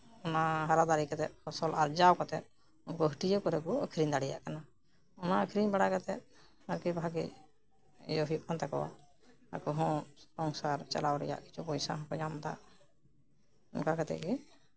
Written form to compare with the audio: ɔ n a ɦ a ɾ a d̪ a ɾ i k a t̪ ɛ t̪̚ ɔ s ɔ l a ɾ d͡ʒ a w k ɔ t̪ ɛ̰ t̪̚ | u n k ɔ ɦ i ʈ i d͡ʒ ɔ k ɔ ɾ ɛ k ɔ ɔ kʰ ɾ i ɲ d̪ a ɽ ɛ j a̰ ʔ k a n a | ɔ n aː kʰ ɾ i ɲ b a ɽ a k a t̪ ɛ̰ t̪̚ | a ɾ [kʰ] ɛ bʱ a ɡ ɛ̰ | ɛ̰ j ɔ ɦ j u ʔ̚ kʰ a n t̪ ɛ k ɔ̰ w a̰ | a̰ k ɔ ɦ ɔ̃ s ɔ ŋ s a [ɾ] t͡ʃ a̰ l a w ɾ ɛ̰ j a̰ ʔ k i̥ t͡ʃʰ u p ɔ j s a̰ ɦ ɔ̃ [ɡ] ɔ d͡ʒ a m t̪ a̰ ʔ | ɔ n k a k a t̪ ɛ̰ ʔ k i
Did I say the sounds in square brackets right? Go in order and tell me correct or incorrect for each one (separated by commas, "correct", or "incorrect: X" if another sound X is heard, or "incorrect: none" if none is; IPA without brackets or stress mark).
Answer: incorrect: k, correct, incorrect: k